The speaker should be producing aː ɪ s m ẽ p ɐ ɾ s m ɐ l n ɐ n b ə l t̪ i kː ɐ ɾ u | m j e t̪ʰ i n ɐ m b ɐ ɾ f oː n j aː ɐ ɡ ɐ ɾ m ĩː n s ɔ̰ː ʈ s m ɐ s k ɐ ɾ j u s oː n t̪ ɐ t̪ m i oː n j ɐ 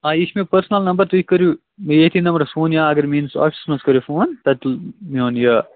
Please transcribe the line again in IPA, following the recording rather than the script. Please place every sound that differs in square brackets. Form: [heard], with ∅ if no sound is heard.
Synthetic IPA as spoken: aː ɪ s m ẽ p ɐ ɾ s [n] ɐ l n ɐ [m] b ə [ɾ] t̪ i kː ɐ ɾ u | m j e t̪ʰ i n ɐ m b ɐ ɾ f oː n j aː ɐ ɡ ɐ ɾ m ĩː n s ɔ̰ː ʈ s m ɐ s k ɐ ɾ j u [f] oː n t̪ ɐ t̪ m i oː n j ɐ

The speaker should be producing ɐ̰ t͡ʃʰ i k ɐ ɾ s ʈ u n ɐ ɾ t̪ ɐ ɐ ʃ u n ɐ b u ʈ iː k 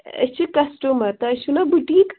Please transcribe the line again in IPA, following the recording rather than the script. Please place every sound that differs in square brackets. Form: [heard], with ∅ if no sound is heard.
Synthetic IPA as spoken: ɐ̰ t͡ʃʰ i k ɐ [∅] s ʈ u [m] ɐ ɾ t̪ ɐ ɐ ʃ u n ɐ b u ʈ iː k

